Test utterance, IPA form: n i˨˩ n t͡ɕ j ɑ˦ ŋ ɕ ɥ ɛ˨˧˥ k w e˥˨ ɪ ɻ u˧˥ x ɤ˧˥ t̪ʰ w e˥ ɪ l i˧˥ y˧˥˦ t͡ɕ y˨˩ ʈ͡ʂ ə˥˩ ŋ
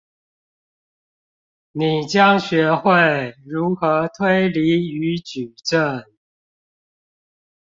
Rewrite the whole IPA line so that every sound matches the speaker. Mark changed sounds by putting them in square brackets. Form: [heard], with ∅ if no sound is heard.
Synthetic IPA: n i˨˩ [∅] t͡ɕ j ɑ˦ ŋ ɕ ɥ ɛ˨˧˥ [x] w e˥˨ ɪ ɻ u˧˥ x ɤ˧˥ t̪ʰ w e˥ ɪ l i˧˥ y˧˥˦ t͡ɕ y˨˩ ʈ͡ʂ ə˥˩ ŋ